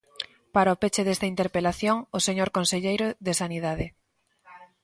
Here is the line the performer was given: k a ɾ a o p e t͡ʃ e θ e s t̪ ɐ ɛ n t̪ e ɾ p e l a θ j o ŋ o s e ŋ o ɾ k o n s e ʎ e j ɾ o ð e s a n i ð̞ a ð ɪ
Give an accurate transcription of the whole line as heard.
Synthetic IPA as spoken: p a ɾ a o p e t͡ʃ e ð e s t̪ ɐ i n t̪ e ɾ p e l a θ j o ŋ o s e ɲ o ɾ k o n s e ʎ e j ɾ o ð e s a n i ð̞ a ð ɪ